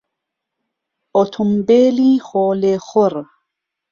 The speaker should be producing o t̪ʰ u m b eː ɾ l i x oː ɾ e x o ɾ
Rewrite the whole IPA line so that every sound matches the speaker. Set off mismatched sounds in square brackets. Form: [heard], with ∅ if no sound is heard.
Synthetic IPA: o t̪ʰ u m b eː [∅] l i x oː [l] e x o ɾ